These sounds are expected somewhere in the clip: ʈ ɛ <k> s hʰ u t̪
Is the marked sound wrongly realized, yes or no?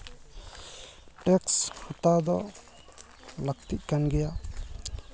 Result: no